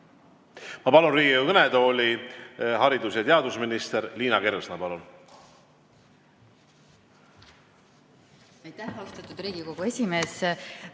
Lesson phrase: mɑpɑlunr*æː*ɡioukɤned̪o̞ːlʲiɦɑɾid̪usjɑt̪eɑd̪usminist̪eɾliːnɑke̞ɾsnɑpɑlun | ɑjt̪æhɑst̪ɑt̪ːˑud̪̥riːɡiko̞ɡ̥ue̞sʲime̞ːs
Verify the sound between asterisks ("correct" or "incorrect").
incorrect